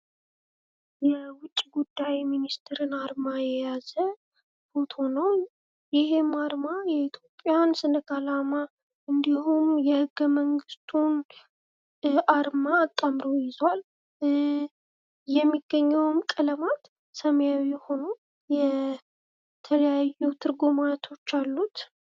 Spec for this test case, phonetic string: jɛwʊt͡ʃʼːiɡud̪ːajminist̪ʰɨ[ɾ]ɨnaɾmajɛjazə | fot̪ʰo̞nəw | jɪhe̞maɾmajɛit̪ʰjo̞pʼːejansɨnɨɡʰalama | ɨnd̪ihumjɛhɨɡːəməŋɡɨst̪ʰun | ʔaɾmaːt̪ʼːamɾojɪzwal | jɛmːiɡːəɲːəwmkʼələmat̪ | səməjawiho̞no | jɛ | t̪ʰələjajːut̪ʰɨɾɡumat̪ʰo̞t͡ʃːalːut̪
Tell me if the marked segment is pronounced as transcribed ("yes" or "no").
yes